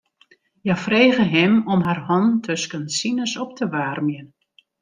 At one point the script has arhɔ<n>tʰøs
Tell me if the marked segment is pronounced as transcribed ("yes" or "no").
yes